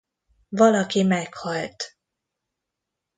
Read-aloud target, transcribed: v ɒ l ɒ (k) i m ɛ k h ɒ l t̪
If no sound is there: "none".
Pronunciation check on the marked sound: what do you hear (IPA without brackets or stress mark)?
k